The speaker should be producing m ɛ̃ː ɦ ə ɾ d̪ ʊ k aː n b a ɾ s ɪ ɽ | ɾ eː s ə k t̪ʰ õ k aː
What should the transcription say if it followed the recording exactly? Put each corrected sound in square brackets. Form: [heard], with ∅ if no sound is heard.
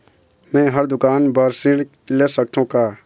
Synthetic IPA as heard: m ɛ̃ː ɦ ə ɾ d̪ ʊ k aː n b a ɾ s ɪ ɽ | [l] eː s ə k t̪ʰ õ k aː